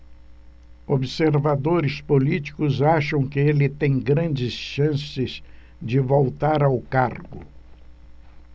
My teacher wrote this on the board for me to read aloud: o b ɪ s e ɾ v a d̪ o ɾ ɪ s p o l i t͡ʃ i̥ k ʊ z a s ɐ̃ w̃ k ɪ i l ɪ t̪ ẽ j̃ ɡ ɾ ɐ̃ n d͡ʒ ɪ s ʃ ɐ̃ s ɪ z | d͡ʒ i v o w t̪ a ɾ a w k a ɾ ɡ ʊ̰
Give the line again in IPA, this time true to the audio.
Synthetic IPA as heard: o b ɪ s e ɾ v a d̪ o ɾ ɪ s p o l i t͡ʃ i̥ k ʊ z a ʃ ɐ̃ w̃ k ɪ e l ɪ t̪ ẽ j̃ ɡ ɾ ɐ̃ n d͡ʒ ɪ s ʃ ɐ̃ s ɪ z | d͡ʒ ɪ v o w t̪ a ɾ a w k a ɾ ɡ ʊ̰